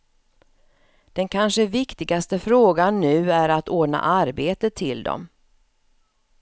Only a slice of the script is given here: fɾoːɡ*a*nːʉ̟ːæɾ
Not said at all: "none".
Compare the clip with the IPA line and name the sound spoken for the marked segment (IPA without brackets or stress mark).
a